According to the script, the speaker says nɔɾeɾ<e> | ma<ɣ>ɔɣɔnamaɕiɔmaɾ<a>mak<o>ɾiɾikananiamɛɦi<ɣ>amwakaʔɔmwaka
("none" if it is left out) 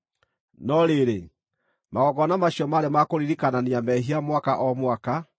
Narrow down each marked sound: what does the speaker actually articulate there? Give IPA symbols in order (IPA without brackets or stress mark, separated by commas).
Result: e, ɣ, e, o, none